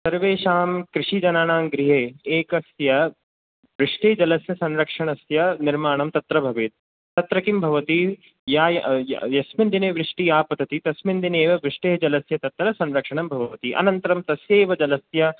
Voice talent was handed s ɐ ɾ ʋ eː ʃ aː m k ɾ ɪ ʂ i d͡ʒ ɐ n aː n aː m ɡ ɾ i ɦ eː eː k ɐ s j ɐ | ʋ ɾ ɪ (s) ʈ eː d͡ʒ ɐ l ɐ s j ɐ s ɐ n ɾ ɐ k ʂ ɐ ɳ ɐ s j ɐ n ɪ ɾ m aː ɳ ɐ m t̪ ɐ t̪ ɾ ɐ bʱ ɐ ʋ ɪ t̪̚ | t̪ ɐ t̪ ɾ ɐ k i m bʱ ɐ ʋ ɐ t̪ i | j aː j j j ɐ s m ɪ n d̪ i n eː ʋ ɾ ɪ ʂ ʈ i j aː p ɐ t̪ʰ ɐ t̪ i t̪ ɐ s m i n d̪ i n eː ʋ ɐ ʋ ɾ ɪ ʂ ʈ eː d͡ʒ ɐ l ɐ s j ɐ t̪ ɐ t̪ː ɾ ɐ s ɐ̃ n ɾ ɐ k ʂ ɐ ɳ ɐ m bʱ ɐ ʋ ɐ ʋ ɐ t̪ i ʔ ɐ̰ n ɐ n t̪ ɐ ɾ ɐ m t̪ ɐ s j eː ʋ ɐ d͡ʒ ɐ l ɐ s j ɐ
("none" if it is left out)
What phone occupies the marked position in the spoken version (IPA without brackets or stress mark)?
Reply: ʂ